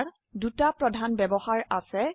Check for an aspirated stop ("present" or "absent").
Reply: absent